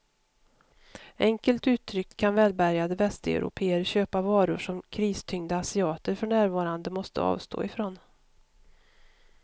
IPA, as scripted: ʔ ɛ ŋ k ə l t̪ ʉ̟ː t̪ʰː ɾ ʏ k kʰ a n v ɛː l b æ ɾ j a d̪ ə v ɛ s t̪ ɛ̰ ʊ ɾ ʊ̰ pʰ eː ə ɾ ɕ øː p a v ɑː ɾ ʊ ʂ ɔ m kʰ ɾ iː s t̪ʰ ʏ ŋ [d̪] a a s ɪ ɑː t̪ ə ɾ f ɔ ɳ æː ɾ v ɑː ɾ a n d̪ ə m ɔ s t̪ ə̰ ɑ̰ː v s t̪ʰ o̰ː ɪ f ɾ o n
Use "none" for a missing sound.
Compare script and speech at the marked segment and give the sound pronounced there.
d̪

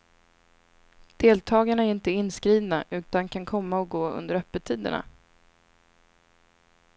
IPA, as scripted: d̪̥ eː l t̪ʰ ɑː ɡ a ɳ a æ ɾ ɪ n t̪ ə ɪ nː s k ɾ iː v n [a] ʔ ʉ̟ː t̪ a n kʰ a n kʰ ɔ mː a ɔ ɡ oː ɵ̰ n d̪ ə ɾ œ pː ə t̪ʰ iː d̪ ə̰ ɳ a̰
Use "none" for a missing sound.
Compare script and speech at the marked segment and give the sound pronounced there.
a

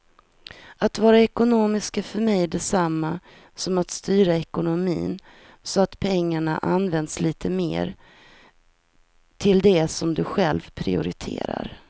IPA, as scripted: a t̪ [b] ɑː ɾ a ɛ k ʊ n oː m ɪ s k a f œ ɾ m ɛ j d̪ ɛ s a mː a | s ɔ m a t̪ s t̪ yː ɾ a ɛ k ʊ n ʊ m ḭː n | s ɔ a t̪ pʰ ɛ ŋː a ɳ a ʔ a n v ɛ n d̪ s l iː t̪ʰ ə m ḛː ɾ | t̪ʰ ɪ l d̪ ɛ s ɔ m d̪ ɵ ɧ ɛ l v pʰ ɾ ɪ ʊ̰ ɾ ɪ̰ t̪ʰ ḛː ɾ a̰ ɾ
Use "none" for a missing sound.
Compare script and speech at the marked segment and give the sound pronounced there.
v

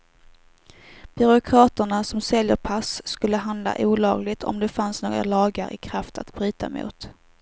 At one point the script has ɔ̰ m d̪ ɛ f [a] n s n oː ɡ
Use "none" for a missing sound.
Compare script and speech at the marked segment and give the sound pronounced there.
a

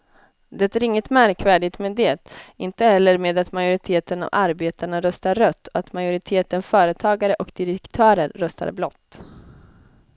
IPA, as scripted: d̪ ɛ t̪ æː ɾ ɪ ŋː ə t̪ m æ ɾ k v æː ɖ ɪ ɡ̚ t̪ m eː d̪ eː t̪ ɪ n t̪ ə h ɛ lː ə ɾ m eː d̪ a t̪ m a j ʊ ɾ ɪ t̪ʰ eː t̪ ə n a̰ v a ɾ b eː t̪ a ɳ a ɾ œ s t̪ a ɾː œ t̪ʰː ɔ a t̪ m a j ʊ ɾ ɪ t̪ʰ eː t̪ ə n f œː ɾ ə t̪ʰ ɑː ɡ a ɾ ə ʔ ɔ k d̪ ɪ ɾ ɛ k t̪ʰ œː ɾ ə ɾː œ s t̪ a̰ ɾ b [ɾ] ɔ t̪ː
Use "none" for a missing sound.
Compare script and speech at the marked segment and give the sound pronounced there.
l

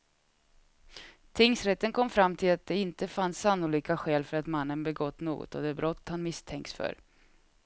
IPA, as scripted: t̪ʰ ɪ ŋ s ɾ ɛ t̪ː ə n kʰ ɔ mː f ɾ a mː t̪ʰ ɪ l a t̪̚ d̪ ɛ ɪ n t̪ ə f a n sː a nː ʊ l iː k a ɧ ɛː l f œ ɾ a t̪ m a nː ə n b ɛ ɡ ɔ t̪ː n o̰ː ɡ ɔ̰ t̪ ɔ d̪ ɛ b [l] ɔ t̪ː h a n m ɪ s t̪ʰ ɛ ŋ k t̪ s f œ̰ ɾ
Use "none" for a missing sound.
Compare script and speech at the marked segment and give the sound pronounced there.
ɾ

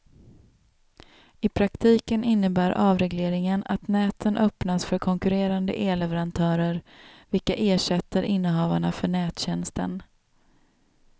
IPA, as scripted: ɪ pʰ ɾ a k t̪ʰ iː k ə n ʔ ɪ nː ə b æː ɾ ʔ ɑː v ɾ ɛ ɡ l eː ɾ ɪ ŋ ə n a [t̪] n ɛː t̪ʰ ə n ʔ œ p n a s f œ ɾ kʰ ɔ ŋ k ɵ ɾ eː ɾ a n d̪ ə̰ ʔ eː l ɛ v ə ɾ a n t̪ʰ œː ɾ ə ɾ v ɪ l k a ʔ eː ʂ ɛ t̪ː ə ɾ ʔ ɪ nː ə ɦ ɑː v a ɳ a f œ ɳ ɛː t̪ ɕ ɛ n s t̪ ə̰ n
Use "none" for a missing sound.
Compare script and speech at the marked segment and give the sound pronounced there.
t̪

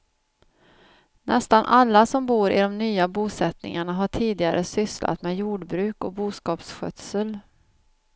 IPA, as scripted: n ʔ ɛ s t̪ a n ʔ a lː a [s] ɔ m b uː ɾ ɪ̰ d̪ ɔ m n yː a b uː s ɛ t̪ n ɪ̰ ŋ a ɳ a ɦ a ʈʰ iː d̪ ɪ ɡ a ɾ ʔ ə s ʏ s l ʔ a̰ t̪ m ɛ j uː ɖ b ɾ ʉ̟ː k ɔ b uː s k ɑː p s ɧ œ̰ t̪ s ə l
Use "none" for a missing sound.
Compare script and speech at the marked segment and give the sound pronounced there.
s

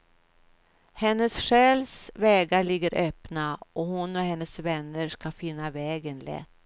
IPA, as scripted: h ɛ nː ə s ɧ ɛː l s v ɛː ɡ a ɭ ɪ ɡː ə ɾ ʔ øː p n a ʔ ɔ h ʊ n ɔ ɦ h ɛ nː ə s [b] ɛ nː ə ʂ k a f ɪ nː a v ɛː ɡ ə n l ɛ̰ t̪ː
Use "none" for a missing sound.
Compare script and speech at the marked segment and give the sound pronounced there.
v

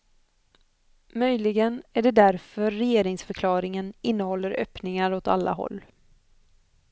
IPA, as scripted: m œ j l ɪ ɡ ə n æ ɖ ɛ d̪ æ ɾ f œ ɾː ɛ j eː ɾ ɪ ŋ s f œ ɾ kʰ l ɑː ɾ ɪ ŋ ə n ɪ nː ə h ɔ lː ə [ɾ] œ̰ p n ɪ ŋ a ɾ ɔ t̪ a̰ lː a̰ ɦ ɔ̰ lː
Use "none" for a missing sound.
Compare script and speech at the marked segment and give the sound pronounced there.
ɾ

